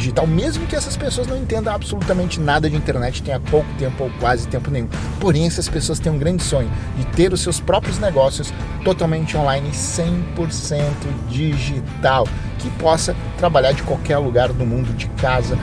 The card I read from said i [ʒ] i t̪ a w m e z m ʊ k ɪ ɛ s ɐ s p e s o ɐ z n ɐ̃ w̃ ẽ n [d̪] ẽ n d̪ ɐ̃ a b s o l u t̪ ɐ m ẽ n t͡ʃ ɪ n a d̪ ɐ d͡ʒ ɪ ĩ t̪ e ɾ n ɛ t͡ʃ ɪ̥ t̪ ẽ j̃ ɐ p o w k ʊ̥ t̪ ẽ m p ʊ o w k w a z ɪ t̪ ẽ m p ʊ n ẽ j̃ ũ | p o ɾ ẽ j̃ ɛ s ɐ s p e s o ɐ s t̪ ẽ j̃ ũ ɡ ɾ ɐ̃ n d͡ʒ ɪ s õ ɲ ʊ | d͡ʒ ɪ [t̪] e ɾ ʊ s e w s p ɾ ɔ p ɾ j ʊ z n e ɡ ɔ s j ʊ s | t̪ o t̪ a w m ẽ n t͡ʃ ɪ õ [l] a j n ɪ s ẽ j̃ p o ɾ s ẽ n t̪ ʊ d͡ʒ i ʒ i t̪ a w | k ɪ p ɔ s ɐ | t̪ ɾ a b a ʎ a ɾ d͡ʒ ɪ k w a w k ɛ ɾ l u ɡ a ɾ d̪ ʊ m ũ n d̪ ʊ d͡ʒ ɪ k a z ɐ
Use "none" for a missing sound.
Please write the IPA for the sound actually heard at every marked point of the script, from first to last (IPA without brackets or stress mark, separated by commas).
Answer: ʒ, t̪, t̪, l